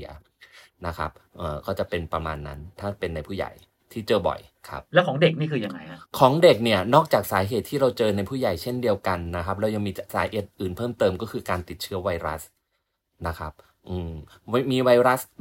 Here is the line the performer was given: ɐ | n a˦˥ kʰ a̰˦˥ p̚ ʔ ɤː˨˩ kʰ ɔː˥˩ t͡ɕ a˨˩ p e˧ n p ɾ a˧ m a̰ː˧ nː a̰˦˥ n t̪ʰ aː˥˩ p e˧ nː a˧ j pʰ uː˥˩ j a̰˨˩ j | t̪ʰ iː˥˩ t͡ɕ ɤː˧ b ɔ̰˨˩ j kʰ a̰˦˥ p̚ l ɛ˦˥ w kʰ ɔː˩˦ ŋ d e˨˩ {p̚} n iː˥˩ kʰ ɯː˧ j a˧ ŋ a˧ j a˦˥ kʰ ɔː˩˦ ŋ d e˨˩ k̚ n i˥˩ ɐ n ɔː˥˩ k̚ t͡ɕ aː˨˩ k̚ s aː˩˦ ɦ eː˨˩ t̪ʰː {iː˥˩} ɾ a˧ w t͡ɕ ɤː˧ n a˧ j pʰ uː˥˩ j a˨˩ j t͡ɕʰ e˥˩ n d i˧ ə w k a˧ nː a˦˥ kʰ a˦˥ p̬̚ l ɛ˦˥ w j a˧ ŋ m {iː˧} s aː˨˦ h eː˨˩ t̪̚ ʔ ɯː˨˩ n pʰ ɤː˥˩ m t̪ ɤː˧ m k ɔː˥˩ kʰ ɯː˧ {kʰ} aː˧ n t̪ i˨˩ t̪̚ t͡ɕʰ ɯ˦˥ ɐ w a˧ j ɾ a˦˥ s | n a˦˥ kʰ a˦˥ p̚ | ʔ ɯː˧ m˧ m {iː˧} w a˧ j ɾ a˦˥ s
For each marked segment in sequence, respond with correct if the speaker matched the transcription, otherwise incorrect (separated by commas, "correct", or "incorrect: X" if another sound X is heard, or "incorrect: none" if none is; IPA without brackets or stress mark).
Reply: incorrect: k̚, correct, correct, incorrect: k, correct